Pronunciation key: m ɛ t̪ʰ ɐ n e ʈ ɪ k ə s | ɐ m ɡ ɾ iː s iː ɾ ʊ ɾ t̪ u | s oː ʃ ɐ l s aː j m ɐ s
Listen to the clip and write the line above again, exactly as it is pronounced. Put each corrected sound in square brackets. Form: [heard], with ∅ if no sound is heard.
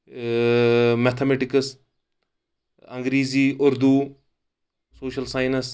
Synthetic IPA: m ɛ t̪ʰ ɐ [m] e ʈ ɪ k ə s | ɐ [ŋ] ɡ ɾ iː [z] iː [∅] ʊ ɾ [d̪] u | s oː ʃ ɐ l s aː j [n] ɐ s